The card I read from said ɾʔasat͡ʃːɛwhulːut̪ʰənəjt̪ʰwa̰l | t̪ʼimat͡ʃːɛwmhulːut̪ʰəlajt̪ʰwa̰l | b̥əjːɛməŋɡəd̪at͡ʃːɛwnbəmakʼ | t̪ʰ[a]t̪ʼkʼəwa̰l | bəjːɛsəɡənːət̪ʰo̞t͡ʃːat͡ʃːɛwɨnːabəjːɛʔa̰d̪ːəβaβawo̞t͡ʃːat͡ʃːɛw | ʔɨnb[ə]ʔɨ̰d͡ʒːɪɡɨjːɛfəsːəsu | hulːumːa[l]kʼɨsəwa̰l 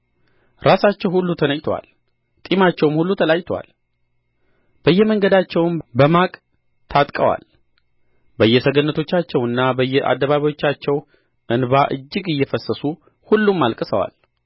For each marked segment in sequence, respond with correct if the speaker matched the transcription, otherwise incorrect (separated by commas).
correct, incorrect, correct